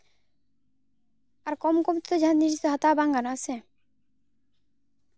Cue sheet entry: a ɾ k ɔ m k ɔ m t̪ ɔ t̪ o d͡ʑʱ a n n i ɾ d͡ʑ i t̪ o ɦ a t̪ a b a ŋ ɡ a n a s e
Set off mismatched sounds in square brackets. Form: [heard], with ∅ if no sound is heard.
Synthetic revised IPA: a ɾ k ɔ m k ɔ m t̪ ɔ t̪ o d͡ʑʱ a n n i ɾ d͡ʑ i t̪ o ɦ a t̪ a b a ŋ ɡ a n a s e

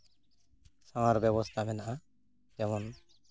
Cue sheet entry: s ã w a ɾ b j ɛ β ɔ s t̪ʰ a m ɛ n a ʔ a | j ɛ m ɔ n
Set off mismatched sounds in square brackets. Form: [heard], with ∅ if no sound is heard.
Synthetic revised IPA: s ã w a ɾ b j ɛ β ɔ s t̪ʰ a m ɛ n a ʔ a | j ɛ m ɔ n

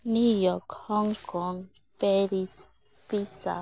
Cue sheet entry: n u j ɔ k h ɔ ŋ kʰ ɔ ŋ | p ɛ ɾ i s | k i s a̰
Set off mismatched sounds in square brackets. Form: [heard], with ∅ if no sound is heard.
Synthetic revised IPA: n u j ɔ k h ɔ ŋ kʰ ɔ ŋ | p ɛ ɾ i s | [p] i s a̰

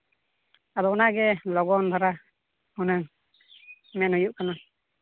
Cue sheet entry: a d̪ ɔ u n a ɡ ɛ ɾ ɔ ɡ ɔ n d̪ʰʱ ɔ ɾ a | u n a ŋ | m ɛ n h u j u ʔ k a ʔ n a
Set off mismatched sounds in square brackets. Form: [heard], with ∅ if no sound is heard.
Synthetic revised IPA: a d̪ ɔ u n a ɡ ɛ [l] ɔ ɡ ɔ n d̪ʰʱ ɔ ɾ a | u n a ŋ | m ɛ n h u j u ʔ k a [∅] n a

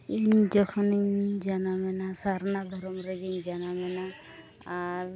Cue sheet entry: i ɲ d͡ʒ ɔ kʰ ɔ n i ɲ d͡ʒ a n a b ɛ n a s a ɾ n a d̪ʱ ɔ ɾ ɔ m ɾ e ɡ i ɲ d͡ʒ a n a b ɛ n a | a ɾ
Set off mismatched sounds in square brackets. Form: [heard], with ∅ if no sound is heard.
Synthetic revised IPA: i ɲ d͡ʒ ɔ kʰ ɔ n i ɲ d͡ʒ a n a [m] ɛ n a s a ɾ n a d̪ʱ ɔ ɾ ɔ m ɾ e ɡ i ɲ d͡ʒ a n a [m] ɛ n a | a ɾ

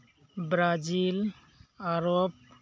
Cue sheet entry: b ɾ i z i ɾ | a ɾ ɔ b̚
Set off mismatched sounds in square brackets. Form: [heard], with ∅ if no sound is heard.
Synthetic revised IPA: b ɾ [a] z i [l] | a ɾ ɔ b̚

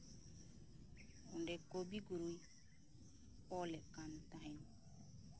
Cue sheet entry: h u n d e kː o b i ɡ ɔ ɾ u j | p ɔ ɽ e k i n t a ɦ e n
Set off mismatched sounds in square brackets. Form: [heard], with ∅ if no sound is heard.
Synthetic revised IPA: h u n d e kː o b i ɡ [u] ɾ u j | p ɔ [l] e k [a] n t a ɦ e n

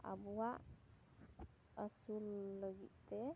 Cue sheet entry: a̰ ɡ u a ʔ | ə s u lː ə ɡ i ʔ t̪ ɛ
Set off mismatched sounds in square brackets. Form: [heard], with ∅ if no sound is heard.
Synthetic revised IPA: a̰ [b] u a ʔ | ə s u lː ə ɡ i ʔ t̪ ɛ

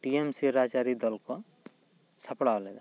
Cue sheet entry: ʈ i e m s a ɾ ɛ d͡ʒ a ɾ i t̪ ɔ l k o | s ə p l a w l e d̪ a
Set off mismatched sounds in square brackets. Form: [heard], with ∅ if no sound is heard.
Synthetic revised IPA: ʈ i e m s [i] ɾ [a] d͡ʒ a ɾ i [d̪] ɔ l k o | s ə p [ɽ] a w l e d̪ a

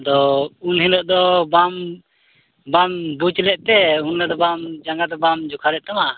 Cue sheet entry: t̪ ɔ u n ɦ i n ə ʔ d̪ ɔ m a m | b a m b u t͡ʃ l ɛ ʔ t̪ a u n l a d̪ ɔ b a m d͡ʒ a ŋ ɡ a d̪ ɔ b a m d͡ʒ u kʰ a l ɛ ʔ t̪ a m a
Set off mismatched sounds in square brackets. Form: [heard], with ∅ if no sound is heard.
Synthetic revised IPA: [d̪] ɔ u n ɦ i n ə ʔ d̪ ɔ [b] a m | b a m b u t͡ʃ l ɛ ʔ t̪ [ɛ] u n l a d̪ ɔ b a m d͡ʒ a ŋ ɡ a d̪ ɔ b a m d͡ʒ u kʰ a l ɛ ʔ t̪ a m a

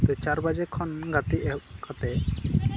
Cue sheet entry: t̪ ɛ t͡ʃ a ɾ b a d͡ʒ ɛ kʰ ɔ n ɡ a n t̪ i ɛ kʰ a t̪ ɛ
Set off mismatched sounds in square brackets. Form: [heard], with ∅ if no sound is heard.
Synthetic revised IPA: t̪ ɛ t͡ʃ a ɾ b a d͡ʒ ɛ kʰ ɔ n ɡ a [∅] t̪ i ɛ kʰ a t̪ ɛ

